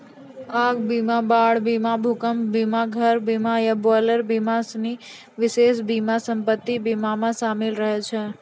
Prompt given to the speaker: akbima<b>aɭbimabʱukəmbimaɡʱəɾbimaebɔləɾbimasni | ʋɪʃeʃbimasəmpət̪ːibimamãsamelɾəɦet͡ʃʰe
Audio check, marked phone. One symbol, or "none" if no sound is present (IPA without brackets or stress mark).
b